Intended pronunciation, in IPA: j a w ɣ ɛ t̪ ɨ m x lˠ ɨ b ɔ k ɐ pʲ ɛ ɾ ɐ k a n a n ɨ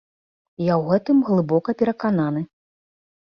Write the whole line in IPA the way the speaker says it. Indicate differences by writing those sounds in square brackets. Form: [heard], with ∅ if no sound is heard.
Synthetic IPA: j a w ɣ ɛ t̪ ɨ m [ɣ] lˠ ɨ b ɔ k ɐ pʲ ɛ ɾ ɐ k a n a n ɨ